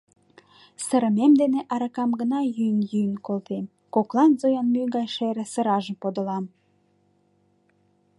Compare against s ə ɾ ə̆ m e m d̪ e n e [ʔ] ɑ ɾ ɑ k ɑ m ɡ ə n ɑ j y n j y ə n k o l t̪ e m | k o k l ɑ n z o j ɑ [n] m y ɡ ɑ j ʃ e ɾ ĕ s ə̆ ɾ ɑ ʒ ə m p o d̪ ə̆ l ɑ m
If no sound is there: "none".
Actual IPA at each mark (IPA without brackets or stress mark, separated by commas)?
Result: ʔ, n